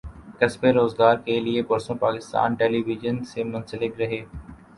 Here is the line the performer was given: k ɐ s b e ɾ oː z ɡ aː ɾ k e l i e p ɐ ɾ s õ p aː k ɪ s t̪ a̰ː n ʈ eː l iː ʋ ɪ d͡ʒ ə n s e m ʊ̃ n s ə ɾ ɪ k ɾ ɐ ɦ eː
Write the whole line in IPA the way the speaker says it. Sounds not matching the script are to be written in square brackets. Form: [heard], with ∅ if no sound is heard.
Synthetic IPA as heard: k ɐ s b e ɾ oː z ɡ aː ɾ k e l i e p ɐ ɾ s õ p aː k ɪ s t̪ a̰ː n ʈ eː l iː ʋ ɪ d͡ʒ ə n s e m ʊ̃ n s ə [l] ɪ k ɾ ɐ ɦ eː